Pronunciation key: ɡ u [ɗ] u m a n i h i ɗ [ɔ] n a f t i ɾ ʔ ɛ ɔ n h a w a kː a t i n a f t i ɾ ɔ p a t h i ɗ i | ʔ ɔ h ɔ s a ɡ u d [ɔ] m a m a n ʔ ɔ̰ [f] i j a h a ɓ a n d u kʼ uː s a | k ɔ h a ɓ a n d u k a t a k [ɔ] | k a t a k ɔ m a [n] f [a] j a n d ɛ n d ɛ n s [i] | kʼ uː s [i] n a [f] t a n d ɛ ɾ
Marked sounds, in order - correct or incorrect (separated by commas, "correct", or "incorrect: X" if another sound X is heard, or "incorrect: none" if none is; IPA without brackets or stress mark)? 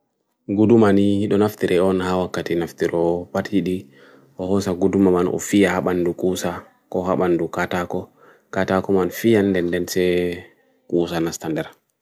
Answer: incorrect: d, correct, incorrect: u, correct, correct, correct, incorrect: i, incorrect: ɛ, incorrect: a, incorrect: s